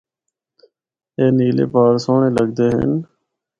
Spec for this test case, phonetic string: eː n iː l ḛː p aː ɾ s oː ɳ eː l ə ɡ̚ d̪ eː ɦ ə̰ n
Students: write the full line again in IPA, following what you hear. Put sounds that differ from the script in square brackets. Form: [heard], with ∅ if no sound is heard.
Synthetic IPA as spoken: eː n iː l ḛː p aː ɾ s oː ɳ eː l ə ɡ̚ d̪ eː ɦ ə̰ n